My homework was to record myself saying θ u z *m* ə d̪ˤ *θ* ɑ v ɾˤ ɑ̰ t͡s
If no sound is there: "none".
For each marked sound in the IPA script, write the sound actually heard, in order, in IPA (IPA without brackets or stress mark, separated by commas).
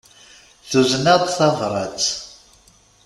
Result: n, θ